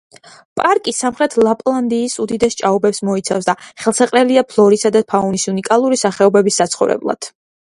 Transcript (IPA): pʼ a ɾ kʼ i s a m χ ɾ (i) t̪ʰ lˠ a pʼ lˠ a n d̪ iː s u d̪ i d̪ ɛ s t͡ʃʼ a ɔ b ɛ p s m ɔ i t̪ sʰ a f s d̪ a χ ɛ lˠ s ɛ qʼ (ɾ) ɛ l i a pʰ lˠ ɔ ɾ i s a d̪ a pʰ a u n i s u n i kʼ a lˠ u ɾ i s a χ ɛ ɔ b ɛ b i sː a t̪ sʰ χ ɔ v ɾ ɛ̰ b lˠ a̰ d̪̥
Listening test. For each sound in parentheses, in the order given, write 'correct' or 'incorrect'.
incorrect, correct

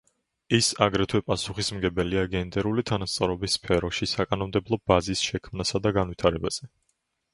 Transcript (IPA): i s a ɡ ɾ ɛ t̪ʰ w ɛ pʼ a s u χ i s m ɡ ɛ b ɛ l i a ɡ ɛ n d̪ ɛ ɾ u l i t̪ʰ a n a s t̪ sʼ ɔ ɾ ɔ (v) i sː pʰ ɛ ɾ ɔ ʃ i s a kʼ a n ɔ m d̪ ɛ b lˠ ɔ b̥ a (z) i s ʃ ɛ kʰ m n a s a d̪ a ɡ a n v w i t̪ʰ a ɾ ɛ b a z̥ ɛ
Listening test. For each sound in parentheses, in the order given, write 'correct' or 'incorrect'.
incorrect, correct

